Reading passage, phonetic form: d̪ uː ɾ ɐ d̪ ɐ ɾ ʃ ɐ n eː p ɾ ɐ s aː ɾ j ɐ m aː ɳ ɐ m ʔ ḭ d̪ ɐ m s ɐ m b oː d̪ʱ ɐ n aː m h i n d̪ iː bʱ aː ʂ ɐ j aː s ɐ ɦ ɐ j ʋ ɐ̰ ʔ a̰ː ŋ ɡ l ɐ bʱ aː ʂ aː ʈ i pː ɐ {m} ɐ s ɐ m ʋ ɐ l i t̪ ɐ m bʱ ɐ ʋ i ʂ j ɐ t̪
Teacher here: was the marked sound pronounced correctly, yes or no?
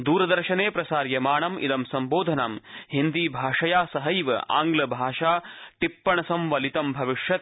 no